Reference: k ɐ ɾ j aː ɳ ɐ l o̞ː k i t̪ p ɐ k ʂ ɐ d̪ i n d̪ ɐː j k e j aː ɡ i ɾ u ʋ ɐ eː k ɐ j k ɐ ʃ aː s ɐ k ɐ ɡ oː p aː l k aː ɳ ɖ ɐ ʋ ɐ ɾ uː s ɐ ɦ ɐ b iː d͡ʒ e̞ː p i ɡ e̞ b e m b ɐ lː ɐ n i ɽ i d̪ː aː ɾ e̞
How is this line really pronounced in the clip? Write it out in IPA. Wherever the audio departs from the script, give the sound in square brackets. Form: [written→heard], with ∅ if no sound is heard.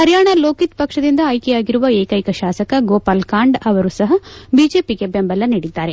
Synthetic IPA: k ɐ ɾ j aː ɳ ɐ l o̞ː k i t̪ p ɐ k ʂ ɐ d̪ i n d̪ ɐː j k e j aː ɡ i ɾ u ʋ ɐ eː k ɐ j k ɐ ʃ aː s ɐ k ɐ ɡ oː p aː l k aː ɳ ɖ ɐ ʋ ɐ ɾ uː s ɐ ɦ ɐ b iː d͡ʒ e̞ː p i ɡ e̞ b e m b ɐ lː ɐ n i ɽ i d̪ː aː ɾ e̞